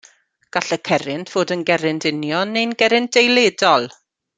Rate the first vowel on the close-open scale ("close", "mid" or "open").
open